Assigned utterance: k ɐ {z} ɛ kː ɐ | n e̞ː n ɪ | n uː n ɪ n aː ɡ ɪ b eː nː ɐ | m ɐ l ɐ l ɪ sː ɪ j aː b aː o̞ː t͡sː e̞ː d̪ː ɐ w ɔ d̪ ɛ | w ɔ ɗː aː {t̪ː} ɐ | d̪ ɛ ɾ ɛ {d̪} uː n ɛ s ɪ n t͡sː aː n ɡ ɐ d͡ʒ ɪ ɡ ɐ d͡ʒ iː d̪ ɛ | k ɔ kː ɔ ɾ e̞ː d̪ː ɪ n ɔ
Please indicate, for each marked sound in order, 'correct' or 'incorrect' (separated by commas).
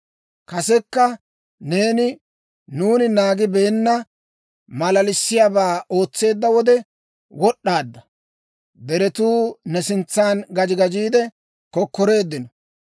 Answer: incorrect, incorrect, incorrect